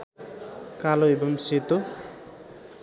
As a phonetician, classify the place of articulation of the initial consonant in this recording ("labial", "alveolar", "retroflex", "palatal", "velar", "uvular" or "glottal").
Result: velar